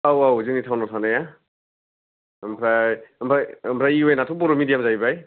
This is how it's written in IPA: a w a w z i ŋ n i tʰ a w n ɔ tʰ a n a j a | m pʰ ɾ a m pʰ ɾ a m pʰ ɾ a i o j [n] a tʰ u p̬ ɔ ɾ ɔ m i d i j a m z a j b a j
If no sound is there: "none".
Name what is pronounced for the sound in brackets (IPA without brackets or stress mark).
n